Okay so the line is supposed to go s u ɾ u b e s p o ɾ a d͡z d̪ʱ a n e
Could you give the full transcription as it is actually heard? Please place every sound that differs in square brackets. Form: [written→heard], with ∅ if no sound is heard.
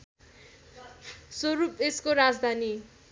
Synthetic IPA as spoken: s [u→o] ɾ u [b→p] e s [p→k] o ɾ a d͡z d̪ʱ a n [e→i]